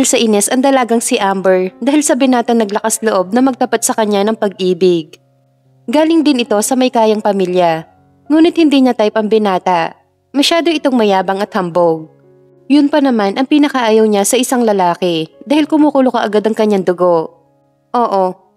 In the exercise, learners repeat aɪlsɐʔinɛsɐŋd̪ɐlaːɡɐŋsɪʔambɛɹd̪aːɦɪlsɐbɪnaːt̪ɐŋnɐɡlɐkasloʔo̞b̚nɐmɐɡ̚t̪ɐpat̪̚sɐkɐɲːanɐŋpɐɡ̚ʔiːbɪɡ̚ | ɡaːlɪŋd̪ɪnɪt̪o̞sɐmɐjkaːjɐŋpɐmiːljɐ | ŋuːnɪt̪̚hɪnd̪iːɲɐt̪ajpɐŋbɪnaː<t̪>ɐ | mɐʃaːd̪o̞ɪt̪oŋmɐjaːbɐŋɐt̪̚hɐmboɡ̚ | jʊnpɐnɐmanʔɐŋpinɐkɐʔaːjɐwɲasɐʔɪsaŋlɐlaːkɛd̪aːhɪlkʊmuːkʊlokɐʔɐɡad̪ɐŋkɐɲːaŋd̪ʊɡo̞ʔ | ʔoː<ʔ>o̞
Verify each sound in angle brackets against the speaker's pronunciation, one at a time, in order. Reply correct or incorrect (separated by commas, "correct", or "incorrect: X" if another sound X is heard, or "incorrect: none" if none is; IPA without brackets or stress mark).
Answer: correct, correct